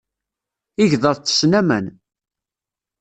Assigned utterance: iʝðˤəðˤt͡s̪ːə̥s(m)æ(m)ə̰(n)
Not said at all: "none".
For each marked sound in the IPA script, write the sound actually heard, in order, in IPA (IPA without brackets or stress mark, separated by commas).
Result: n, m, n